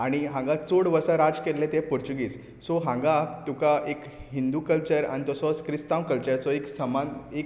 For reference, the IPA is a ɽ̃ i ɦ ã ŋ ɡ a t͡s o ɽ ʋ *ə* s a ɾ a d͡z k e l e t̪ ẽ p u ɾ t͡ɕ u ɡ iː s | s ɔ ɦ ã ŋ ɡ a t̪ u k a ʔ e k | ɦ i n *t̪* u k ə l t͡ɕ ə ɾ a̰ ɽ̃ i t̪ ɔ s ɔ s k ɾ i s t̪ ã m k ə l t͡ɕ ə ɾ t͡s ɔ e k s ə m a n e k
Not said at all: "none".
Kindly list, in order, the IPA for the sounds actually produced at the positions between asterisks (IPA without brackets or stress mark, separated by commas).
ə, d̪